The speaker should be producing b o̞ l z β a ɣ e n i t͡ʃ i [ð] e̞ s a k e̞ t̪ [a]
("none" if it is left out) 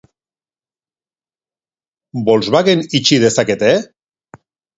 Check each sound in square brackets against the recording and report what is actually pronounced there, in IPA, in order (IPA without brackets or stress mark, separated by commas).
ð, e